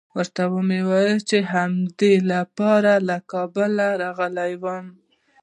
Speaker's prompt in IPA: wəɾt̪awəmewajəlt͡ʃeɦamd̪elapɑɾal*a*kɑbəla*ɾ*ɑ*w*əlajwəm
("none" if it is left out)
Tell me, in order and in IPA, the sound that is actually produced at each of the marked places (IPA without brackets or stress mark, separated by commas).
a, ɾ, ɣ